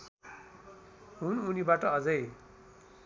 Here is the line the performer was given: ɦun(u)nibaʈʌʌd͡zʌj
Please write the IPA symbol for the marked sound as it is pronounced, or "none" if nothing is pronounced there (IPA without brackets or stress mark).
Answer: u